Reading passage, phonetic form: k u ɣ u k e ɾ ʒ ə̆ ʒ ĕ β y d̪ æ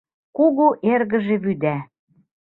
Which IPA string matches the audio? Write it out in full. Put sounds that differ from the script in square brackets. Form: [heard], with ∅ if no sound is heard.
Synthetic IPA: k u ɣ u [ʔ] e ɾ [ɣ] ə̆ ʒ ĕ β y d̪ æ